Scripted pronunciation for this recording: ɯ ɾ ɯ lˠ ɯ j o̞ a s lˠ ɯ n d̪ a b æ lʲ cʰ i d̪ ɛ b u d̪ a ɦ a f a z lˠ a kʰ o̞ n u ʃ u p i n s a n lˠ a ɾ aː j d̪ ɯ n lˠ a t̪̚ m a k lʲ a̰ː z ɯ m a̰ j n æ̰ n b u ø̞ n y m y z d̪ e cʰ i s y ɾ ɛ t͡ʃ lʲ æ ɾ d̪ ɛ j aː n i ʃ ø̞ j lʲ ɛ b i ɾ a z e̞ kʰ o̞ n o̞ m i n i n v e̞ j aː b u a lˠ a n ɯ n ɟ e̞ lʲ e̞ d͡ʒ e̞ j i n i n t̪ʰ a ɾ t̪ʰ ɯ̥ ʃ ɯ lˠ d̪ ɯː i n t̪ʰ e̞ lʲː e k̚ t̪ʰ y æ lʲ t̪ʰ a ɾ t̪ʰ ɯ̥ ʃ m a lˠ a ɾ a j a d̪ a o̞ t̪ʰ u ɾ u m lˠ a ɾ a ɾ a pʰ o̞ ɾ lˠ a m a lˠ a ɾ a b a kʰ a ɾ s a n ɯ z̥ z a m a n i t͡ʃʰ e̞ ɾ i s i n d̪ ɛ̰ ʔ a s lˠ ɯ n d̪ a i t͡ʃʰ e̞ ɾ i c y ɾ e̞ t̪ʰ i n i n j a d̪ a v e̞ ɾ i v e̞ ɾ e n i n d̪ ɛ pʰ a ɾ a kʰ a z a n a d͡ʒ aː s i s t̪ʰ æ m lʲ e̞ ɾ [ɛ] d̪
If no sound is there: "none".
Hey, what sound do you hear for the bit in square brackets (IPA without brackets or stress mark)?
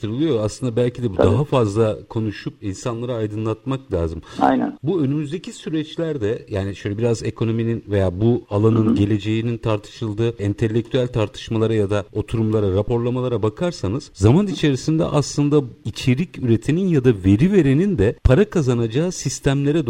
ɛ